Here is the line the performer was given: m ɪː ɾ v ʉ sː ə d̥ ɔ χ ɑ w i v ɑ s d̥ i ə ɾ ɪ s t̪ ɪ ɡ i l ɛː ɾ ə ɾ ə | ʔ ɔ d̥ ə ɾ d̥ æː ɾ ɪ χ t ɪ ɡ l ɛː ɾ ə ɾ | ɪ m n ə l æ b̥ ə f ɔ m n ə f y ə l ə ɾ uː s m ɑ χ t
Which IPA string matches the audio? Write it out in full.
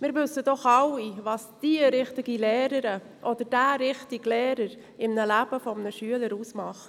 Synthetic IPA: m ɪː ɾ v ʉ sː ə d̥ ɔ χ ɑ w i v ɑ s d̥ i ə ɾ ɪ χ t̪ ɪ ɡ i l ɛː ɾ ə ɾ ə | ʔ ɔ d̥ ə ɾ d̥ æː ɾ ɪ χ t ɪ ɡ l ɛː ɾ ə ɾ | ɪ m n ə l æ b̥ ə f ɔ m n ə ʃ y ə l ə ɾ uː s m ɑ χ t